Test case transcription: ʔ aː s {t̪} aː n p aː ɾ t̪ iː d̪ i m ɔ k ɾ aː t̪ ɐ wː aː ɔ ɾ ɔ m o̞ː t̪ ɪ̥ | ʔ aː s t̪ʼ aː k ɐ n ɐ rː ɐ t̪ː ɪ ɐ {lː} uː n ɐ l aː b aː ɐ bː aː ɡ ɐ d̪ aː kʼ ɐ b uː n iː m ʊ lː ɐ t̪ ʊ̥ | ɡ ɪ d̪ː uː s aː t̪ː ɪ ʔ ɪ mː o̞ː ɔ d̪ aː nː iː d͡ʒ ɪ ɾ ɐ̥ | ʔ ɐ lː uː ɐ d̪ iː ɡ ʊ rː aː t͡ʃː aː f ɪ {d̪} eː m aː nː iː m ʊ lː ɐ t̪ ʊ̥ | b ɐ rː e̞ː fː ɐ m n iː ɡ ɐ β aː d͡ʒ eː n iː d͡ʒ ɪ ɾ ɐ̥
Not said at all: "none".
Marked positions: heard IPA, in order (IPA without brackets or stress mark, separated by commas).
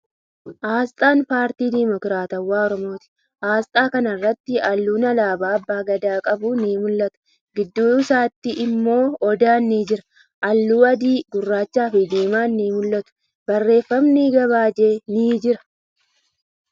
t̪ʼ, lː, d̪